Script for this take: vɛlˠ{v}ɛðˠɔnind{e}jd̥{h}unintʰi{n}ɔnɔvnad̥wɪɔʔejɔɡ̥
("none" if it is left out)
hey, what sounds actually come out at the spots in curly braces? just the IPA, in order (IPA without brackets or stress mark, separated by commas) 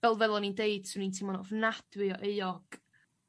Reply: v, e, s, m